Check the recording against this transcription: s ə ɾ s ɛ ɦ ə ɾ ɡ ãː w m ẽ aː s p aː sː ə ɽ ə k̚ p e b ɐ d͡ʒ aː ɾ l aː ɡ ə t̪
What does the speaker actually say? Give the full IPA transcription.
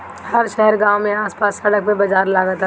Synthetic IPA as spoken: h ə ɾ ʃ ɛ ɦ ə ɾ ɡ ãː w m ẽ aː s p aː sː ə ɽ ə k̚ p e b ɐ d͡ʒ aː ɾ l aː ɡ ə t̪